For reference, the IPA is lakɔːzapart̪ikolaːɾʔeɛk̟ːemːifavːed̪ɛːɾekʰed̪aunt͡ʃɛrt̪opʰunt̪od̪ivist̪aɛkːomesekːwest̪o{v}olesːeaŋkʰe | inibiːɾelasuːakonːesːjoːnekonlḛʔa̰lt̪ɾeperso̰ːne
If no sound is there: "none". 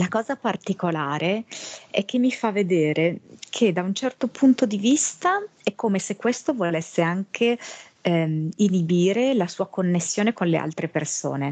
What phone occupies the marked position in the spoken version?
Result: v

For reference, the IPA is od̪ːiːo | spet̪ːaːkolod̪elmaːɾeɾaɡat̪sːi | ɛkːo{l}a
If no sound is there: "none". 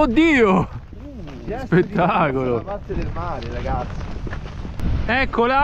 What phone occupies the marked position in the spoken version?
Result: l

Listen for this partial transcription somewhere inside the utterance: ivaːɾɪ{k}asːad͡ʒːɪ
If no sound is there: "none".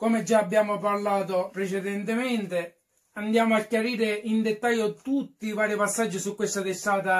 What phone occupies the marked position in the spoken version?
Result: p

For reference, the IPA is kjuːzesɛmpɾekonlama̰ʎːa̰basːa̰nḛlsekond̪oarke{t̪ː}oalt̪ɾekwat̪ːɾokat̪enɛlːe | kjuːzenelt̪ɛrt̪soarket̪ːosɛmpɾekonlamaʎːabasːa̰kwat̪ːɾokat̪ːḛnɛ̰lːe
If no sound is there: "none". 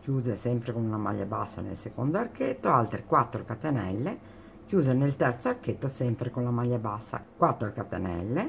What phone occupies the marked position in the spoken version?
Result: t̪ː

